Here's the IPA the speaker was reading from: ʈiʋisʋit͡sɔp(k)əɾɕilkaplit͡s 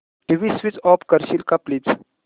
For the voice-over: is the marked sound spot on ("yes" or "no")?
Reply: yes